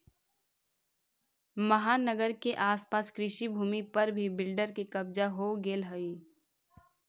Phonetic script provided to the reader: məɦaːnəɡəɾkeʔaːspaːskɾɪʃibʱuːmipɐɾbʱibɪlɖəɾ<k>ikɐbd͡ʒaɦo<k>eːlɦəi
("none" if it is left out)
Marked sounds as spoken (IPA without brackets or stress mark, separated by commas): k, ɡ